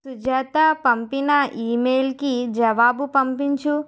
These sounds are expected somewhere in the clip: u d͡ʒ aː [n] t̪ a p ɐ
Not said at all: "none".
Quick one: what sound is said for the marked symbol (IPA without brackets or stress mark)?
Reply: none